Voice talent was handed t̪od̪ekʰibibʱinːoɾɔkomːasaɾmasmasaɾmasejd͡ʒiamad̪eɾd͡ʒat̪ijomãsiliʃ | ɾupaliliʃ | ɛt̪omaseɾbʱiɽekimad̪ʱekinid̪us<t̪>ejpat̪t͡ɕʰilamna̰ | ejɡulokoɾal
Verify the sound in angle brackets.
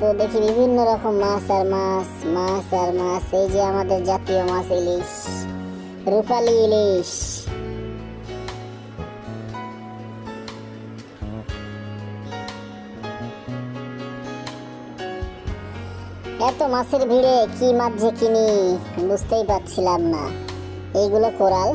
correct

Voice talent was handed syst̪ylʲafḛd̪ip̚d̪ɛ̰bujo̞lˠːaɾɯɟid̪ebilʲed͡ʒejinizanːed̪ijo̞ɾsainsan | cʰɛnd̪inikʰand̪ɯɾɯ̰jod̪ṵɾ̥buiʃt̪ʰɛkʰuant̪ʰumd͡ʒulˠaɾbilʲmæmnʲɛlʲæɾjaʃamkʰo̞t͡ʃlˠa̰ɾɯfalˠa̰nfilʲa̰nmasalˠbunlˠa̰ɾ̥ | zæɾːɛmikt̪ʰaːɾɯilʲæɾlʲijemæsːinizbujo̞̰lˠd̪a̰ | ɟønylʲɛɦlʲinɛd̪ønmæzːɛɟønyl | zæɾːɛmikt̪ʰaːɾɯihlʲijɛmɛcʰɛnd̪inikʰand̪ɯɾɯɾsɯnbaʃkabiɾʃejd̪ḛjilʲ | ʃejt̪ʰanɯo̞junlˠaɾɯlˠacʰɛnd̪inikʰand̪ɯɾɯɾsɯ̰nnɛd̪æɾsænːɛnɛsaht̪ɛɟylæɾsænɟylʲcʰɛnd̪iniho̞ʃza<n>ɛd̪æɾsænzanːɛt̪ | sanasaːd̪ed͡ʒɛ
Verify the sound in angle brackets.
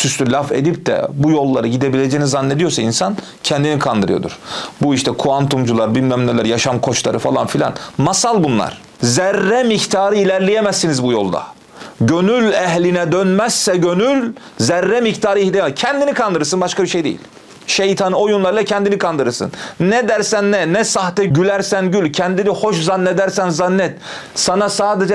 incorrect: nː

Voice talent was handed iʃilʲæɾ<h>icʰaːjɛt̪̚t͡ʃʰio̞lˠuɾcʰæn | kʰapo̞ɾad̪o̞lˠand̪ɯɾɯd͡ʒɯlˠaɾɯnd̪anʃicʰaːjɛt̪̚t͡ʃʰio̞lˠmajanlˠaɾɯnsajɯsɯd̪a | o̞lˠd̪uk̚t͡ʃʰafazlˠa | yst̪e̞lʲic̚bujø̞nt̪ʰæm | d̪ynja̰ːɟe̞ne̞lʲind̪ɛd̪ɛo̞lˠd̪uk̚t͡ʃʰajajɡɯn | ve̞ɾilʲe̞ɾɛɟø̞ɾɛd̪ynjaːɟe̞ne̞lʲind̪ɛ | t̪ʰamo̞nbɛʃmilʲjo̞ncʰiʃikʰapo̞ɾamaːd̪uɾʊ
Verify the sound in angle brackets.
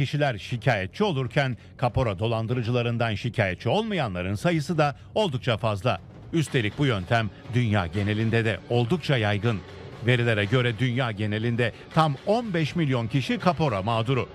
incorrect: ʃ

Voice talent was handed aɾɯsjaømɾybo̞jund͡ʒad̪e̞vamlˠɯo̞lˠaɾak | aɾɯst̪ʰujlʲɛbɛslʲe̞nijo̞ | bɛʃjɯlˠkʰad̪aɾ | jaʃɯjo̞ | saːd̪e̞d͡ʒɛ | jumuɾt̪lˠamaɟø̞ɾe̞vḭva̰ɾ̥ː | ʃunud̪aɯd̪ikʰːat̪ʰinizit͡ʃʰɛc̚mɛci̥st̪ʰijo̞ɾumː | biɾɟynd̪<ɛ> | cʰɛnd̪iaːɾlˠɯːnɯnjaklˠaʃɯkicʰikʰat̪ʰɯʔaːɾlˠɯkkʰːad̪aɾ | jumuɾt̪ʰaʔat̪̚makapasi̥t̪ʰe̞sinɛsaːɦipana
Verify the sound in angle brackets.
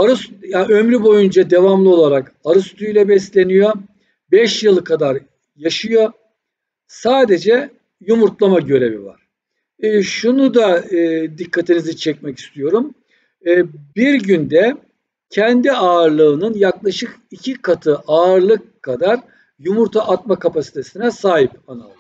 correct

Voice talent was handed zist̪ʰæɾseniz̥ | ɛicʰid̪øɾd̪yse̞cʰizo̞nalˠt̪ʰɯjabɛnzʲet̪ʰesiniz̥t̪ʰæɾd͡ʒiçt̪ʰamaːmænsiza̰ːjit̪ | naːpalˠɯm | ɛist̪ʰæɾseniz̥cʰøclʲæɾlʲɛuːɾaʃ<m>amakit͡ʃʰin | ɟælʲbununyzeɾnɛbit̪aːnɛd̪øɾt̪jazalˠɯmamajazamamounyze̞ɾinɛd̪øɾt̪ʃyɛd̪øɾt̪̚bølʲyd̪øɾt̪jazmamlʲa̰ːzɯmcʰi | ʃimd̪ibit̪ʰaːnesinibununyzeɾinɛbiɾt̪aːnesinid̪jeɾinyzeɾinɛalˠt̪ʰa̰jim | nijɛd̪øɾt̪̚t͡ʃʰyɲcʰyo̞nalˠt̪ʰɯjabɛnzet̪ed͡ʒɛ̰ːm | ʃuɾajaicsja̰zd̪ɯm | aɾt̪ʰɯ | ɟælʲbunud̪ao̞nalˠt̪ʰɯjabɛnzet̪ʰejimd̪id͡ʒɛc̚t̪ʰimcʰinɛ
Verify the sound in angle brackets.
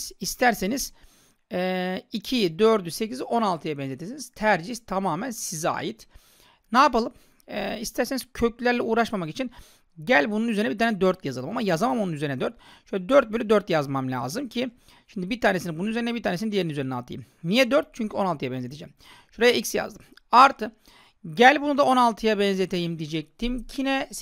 correct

